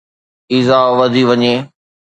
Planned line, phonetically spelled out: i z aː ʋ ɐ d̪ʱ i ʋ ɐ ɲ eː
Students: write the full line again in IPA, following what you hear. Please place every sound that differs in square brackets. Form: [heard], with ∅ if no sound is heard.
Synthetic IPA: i z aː ʋ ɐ d̪ʱ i ʋ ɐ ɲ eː